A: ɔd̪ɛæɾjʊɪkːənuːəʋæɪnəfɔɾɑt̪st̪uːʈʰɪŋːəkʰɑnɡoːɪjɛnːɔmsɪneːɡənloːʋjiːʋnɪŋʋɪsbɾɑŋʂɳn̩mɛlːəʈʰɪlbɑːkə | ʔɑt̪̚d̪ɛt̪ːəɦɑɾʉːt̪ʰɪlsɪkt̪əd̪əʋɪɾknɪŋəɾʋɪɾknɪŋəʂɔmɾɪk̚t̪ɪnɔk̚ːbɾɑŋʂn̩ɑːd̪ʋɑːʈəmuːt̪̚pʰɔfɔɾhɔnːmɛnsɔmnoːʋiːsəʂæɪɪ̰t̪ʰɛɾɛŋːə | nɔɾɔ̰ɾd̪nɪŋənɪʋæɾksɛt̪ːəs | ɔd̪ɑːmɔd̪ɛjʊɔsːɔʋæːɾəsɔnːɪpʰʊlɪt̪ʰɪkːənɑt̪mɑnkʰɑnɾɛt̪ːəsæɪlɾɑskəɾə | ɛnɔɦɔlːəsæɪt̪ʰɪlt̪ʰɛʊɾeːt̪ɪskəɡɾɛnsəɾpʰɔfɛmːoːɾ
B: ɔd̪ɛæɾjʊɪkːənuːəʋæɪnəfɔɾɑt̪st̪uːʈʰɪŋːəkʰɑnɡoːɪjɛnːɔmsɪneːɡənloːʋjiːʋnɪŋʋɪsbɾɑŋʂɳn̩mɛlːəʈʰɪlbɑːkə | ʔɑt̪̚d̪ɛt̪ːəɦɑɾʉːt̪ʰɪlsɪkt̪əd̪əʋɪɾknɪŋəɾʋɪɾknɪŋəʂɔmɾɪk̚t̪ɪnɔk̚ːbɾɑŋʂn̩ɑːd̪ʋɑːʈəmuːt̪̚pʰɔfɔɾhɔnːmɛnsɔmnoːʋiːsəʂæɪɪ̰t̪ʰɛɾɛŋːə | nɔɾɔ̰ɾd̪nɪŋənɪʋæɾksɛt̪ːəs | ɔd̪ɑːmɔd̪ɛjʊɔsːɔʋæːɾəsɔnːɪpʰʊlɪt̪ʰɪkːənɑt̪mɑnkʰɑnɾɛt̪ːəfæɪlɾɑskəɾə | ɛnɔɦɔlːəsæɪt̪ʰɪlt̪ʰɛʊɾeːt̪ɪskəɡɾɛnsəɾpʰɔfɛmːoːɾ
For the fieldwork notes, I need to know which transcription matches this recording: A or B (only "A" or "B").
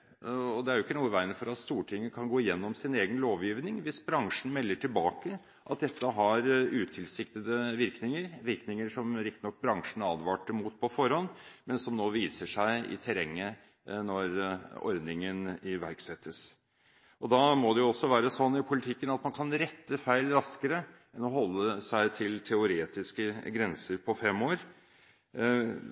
B